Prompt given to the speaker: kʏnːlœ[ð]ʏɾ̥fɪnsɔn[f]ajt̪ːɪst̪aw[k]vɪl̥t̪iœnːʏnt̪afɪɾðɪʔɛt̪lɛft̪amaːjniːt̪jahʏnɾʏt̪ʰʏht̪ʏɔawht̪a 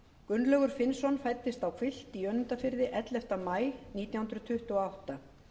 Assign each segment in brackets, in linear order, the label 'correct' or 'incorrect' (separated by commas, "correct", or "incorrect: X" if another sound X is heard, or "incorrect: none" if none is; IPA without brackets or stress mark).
incorrect: ɣ, correct, incorrect: kʰ